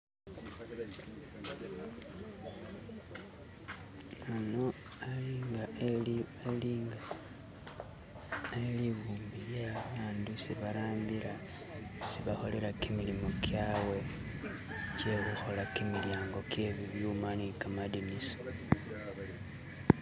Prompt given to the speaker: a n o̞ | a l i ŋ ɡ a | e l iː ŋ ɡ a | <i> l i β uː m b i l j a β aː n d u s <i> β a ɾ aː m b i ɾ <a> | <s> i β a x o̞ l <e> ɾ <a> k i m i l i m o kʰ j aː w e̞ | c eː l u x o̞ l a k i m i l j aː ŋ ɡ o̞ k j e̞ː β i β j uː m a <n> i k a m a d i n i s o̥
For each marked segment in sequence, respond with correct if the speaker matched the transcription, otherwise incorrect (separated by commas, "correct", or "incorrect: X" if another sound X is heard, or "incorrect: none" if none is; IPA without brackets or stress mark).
incorrect: e, correct, correct, correct, correct, correct, correct